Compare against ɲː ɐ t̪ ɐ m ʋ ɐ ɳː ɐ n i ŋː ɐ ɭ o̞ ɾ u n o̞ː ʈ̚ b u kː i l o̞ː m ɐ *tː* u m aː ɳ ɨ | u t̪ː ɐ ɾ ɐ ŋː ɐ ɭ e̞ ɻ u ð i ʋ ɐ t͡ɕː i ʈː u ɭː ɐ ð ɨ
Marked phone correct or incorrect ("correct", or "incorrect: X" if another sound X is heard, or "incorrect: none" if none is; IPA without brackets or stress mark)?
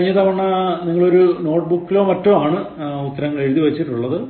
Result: correct